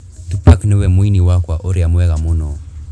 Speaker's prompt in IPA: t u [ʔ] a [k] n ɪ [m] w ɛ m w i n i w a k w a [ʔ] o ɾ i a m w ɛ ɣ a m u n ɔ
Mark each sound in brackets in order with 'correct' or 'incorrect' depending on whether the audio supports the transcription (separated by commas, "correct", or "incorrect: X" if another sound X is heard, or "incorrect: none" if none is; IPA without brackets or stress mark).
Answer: incorrect: p, correct, incorrect: none, correct